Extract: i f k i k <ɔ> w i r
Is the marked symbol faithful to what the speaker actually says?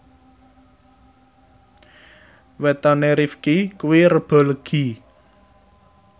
no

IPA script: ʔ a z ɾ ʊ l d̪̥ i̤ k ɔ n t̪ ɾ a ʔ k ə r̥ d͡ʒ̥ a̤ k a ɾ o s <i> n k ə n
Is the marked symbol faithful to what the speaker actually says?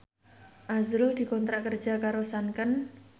no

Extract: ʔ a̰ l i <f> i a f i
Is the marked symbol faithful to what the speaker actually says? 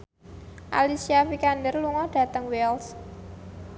no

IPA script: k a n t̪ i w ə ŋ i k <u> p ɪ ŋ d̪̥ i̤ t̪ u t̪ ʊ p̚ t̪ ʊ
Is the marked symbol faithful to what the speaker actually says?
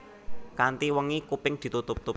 yes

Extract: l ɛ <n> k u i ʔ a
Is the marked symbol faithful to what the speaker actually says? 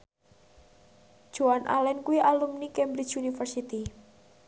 yes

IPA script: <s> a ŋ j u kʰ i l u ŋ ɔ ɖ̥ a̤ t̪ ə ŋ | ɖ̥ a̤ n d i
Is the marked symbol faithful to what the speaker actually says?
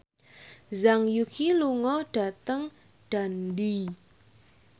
no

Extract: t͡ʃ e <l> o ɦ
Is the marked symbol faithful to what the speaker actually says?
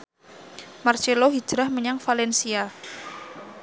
yes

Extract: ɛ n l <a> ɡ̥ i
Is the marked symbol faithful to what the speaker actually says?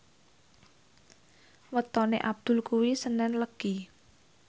no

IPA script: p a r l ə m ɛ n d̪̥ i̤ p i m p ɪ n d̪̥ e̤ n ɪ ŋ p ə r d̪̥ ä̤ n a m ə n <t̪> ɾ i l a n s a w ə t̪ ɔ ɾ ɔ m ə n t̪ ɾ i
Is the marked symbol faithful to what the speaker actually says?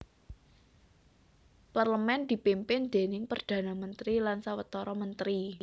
yes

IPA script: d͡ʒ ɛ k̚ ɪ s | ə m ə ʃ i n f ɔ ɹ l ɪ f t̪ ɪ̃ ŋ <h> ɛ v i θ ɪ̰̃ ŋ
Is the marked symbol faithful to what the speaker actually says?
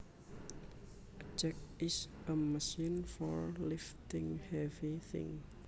yes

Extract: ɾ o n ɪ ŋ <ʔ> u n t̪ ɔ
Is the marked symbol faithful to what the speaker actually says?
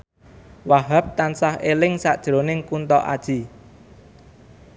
no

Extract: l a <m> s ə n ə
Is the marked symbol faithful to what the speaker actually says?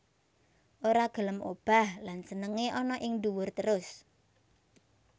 no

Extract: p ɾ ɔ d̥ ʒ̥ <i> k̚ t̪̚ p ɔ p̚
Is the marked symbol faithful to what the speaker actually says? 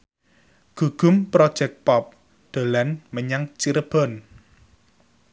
no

